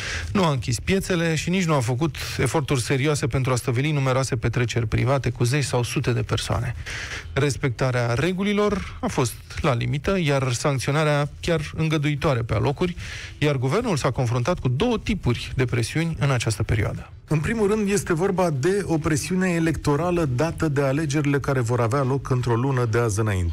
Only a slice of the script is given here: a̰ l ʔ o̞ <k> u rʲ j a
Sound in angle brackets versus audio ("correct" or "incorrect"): correct